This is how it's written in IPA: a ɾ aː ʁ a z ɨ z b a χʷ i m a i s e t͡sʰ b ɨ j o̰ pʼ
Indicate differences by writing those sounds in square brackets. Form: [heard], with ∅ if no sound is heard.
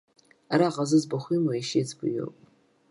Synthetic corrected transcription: a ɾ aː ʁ a z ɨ z b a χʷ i m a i [ʃ] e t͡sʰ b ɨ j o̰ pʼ